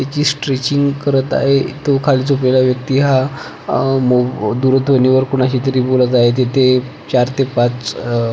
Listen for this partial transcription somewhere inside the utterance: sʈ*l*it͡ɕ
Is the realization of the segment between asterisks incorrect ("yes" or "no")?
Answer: yes